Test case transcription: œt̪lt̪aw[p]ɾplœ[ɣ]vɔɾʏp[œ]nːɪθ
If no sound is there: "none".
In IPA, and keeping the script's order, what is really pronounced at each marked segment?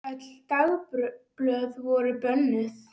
p, ð, œ

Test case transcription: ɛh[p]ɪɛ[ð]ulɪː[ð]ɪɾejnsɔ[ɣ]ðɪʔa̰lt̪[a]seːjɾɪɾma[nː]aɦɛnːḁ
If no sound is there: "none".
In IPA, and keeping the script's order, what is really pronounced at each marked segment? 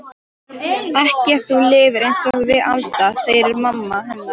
c, θ, v, ɣ, a, mː

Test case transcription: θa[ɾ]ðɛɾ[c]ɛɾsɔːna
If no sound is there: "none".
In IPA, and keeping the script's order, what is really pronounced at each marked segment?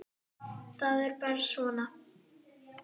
none, p

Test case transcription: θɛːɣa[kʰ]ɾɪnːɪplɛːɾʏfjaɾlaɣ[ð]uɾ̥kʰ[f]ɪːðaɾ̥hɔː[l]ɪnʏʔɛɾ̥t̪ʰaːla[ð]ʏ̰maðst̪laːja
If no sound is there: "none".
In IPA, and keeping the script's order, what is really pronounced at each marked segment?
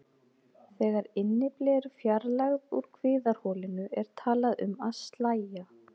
none, ð, v, l, ð

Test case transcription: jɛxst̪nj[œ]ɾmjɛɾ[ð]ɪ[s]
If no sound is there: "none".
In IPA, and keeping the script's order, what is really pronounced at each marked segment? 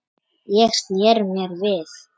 ɛ, v, θ

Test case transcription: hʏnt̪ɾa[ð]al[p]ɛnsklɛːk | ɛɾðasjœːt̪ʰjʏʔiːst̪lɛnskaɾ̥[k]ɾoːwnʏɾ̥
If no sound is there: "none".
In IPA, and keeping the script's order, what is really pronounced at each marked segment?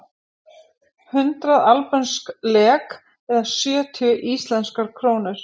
ð, p, kʰ

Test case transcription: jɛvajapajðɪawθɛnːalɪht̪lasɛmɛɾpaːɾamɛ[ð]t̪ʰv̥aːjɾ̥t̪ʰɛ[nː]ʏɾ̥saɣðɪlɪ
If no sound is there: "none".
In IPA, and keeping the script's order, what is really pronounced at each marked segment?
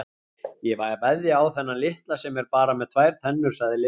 ð, nː

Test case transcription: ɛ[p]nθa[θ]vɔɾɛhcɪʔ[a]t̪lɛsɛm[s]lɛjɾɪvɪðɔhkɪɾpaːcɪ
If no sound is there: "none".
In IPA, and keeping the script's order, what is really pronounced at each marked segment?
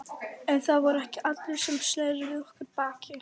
none, ð, a, s

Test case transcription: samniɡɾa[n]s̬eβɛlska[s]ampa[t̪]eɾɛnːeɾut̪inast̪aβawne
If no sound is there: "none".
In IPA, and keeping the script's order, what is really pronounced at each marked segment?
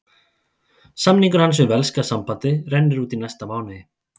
n, s, t̪

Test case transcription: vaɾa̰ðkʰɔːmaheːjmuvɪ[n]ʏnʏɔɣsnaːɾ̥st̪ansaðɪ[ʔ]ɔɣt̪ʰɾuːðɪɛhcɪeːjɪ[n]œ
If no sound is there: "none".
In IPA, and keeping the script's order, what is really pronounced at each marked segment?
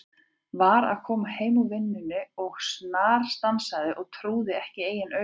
nː, ʔ, n

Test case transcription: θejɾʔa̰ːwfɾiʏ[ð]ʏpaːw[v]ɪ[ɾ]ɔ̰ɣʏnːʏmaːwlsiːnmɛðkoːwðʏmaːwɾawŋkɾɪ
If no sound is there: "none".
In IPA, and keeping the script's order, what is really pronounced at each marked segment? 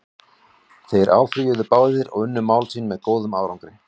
ð, ð, ɾ

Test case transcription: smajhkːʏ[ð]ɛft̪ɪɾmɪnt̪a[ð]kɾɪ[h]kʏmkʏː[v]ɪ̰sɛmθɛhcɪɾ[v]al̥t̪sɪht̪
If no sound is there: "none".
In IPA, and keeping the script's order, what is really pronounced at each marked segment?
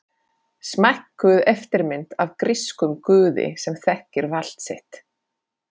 ð, v, s, ð, v

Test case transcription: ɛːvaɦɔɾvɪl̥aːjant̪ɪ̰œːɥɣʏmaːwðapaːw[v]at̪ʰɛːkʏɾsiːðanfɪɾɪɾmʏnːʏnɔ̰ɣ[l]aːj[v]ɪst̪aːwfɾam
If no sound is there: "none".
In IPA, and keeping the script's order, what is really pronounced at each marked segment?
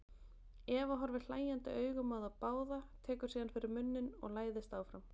ð, l, ð

